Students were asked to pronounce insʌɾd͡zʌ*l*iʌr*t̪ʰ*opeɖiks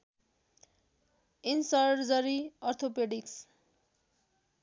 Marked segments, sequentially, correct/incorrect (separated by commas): incorrect, correct